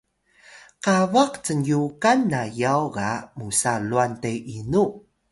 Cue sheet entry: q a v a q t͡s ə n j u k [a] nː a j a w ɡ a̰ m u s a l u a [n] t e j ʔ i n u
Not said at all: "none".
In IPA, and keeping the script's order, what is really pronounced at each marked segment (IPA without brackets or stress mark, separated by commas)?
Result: a, n